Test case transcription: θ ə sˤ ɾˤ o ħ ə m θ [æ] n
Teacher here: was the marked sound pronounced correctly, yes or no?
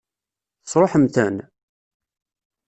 yes